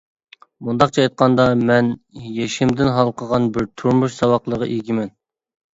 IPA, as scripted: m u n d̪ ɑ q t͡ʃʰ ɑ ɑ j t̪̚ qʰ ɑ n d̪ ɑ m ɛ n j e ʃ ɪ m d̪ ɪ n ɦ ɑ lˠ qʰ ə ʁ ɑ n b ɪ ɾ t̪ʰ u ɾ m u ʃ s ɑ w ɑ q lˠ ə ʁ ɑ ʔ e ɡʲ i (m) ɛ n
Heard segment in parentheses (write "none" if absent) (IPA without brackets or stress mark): m